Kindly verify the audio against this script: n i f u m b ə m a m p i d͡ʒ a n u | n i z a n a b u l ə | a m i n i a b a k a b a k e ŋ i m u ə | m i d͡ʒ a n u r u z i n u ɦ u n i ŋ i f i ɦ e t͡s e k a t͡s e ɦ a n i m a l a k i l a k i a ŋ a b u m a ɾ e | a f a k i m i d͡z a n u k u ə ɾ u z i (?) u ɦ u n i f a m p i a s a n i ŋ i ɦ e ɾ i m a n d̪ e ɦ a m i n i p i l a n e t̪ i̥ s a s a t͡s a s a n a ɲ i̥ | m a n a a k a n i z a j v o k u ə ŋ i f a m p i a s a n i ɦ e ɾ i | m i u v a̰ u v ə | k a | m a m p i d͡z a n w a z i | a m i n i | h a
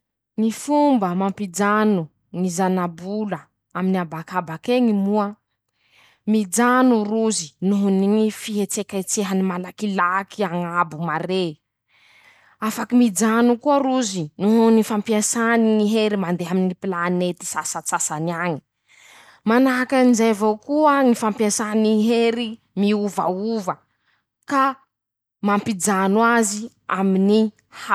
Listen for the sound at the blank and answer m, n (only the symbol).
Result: n